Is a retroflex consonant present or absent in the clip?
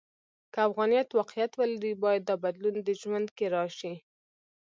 absent